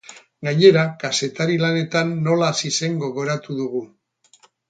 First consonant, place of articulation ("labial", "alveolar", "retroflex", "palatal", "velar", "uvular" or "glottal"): velar